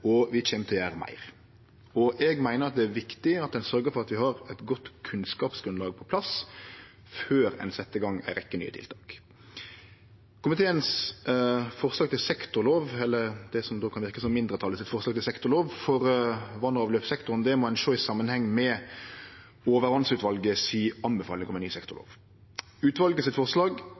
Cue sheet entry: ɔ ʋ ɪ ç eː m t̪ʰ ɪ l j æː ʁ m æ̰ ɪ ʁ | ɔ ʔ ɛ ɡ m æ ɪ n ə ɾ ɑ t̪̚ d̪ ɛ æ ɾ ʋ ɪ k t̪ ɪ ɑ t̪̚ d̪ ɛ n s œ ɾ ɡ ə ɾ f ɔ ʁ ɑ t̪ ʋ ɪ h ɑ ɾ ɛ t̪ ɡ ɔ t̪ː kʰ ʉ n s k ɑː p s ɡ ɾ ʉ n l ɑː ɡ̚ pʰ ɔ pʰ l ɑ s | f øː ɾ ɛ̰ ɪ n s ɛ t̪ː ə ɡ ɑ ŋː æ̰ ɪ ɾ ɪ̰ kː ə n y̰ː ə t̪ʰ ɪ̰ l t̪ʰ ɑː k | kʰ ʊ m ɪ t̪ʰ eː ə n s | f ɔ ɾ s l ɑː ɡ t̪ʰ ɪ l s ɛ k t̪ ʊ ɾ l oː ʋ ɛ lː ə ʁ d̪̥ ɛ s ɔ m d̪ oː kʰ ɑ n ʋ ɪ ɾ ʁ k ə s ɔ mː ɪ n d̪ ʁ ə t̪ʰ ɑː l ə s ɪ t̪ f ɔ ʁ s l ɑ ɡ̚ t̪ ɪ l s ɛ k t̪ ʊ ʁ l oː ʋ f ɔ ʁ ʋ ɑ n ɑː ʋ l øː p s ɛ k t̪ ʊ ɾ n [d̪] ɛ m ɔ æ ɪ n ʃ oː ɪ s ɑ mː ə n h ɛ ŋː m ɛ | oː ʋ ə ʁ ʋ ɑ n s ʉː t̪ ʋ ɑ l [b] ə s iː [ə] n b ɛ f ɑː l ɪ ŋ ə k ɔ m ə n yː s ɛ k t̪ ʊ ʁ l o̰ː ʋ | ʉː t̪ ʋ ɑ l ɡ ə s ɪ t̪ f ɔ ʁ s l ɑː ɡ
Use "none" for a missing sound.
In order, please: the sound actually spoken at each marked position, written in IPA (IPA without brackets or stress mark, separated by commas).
d̪, ɡ, ɑ